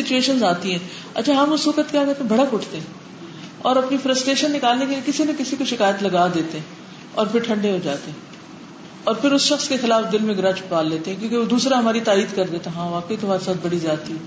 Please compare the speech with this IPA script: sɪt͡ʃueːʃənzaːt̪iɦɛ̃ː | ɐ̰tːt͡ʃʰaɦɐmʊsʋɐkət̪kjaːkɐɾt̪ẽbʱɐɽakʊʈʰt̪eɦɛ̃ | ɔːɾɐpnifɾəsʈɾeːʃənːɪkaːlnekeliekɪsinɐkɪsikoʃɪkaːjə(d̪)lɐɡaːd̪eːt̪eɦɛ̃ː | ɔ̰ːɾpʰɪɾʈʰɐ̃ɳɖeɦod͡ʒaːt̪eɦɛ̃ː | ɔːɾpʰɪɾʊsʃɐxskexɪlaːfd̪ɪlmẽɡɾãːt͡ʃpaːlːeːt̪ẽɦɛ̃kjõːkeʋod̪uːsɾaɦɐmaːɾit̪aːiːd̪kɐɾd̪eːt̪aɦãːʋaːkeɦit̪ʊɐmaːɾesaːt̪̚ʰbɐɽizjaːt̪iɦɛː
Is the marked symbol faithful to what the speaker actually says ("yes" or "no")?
no